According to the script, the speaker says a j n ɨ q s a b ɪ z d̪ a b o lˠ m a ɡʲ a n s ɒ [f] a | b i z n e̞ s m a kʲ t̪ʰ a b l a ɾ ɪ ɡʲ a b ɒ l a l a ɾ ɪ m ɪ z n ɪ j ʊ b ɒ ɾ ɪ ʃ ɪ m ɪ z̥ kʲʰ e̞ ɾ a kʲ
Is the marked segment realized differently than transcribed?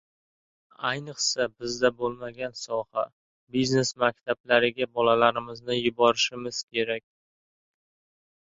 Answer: yes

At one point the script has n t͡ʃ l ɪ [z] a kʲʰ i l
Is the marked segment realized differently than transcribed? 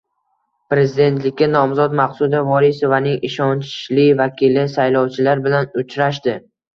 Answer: yes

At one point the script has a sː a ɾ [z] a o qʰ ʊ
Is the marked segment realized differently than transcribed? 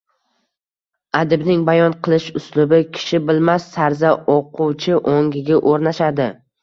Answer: no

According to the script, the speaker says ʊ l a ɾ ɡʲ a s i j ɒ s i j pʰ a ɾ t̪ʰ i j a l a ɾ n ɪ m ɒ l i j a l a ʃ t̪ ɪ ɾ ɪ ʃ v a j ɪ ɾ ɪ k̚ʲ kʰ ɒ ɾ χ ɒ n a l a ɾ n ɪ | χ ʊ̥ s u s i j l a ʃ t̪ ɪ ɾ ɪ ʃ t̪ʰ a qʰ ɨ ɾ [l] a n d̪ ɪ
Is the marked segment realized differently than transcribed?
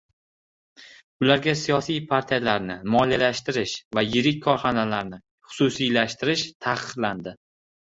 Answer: no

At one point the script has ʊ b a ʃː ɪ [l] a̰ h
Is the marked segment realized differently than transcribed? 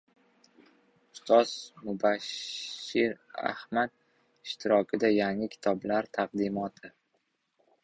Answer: yes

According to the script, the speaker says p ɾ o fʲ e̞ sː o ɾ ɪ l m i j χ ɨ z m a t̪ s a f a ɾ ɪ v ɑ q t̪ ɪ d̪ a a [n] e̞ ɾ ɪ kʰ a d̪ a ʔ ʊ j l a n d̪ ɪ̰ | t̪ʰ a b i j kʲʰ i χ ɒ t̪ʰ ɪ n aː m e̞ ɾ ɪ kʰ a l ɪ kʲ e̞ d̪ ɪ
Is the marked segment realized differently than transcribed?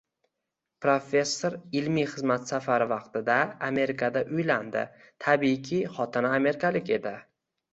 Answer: yes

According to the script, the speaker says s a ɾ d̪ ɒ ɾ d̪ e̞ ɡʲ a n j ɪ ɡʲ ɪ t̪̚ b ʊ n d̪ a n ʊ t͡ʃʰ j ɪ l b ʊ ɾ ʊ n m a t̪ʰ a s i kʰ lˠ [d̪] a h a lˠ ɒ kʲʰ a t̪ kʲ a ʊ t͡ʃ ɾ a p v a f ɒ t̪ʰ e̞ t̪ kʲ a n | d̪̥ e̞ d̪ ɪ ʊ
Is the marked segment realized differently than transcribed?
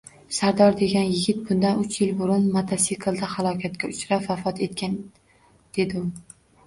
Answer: no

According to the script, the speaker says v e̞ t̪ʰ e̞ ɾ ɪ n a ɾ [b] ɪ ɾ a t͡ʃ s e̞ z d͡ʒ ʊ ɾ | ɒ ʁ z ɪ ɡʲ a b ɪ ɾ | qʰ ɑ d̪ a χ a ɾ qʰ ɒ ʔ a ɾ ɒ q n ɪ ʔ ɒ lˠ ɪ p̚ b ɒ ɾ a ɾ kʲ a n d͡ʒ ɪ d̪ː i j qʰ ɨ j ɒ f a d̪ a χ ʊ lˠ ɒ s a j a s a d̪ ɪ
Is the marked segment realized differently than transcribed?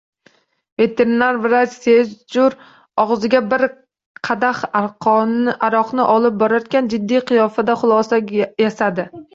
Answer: yes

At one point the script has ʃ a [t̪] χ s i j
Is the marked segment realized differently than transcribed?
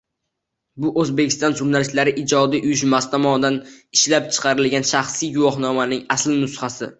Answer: yes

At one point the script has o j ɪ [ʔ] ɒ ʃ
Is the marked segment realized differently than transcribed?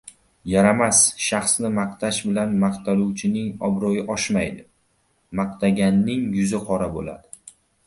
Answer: no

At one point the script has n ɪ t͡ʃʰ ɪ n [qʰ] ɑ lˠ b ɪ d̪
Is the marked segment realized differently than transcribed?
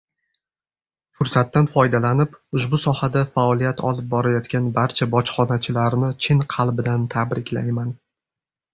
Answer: no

